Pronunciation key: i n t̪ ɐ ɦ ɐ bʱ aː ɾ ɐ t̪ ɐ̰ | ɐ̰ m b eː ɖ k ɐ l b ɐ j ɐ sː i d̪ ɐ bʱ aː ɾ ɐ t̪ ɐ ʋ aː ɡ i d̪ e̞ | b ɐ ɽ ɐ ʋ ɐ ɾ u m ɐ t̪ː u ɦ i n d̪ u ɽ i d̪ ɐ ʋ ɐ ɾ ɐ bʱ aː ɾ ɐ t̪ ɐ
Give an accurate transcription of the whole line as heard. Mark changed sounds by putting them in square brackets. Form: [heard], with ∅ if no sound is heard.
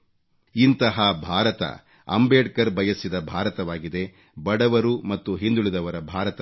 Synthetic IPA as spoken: i n t̪ ɐ ɦ ɐ bʱ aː ɾ ɐ t̪ ɐ̰ | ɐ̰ m b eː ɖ k ɐ [ɾ] b ɐ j ɐ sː i d̪ ɐ bʱ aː ɾ ɐ t̪ ɐ ʋ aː ɡ i d̪ e̞ | b ɐ ɽ ɐ ʋ ɐ ɾ u m ɐ t̪ː u ɦ i n d̪ u [ɭ] i d̪ ɐ ʋ ɐ ɾ ɐ bʱ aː ɾ ɐ t̪ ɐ